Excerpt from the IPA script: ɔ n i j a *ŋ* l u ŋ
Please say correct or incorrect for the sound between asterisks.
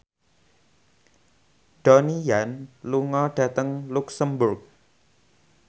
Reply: incorrect